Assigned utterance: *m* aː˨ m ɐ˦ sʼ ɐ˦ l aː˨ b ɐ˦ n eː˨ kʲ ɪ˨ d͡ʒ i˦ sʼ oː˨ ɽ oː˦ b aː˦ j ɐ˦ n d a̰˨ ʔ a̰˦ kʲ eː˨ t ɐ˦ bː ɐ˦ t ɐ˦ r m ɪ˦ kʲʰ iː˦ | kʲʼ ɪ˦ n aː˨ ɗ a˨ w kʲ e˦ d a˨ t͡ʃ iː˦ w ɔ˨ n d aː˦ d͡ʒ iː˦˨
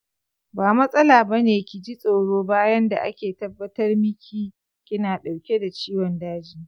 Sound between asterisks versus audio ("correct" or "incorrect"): incorrect